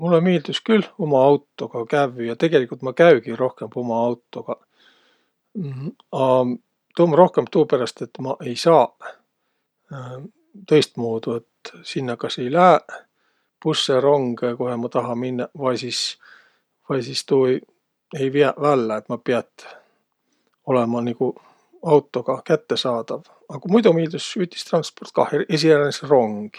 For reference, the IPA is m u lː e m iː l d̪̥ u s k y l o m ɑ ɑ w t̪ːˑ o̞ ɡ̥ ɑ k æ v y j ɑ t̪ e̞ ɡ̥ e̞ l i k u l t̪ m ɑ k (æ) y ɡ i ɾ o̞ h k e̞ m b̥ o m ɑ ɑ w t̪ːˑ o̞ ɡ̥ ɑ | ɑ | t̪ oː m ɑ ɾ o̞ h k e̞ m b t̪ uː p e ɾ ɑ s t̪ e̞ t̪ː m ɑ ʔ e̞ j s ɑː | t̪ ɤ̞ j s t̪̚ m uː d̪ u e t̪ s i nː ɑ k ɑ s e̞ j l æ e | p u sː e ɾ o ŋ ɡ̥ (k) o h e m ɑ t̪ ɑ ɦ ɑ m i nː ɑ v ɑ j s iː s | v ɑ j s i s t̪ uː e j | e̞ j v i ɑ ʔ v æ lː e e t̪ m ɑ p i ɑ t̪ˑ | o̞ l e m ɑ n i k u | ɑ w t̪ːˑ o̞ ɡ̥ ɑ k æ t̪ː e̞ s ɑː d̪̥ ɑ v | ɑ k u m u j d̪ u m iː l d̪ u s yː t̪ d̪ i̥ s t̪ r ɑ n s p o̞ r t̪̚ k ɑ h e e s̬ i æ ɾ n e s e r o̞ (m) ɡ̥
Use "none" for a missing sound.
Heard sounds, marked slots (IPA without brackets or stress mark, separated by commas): æ, k, ŋ